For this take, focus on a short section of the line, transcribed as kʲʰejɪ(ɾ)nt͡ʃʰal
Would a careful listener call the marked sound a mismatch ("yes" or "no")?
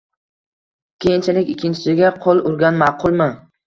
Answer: yes